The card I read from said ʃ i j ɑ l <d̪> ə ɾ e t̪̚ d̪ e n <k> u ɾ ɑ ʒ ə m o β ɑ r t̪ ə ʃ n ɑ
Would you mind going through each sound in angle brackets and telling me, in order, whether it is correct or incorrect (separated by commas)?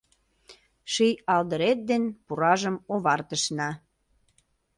correct, incorrect